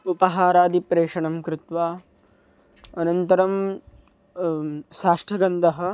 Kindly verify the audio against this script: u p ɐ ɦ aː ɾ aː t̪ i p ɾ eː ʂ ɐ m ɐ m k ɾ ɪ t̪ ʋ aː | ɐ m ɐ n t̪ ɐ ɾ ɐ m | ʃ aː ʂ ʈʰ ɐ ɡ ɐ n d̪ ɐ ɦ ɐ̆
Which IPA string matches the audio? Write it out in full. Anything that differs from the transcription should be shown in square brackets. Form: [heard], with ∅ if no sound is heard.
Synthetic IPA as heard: u p ɐ ɦ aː ɾ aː [d̪] i p ɾ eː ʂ ɐ [ɳ] ɐ m k ɾ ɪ t̪ ʋ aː | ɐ [n] ɐ n t̪ ɐ ɾ ɐ m | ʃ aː ʂ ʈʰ ɐ ɡ ɐ n d̪ ɐ ɦ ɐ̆